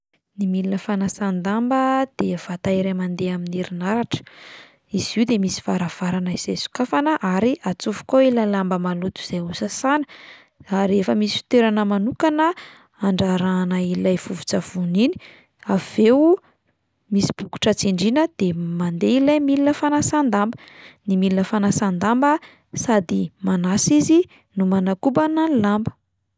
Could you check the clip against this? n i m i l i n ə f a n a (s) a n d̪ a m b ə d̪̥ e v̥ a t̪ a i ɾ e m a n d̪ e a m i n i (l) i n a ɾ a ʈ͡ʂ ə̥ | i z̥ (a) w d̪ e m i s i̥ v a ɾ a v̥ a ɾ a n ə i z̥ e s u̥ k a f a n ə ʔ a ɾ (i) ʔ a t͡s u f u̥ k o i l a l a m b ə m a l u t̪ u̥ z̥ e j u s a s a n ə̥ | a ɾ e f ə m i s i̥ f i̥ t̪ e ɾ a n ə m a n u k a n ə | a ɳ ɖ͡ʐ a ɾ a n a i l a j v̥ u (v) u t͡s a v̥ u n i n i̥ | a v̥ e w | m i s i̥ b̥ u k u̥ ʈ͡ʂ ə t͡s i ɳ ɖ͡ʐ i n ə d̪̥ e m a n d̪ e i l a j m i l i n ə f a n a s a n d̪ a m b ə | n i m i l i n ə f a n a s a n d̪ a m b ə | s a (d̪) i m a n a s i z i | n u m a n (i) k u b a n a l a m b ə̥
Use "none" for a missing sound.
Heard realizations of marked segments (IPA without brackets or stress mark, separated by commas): s, ɾ, i, i, v, d̪, a